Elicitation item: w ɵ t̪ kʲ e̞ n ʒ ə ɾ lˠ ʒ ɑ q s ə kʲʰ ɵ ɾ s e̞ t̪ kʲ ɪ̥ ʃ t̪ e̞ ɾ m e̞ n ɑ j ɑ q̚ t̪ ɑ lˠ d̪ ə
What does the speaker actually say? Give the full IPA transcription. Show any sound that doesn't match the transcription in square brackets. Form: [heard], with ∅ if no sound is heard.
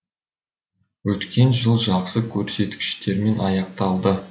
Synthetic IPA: w ɵ t̪ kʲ e̞ n ʒ ə [∅] lˠ ʒ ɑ q s ə kʲʰ ɵ ɾ s e̞ t̪ kʲ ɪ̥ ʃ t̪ e̞ ɾ m e̞ n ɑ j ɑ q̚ t̪ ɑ lˠ d̪ ə